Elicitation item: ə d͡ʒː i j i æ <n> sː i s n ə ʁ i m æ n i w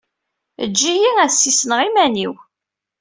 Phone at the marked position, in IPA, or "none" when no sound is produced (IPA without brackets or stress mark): none